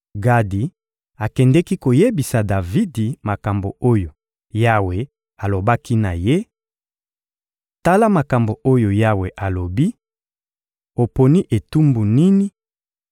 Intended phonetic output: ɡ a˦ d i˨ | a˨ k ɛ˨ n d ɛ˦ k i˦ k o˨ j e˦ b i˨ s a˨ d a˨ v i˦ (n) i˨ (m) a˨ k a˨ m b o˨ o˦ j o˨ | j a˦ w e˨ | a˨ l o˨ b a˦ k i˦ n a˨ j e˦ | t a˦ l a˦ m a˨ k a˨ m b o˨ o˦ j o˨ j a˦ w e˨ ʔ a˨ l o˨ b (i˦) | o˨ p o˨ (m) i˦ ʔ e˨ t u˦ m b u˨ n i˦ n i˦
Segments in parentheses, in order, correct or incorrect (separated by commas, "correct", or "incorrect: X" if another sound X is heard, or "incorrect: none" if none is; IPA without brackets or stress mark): incorrect: d, correct, correct, incorrect: n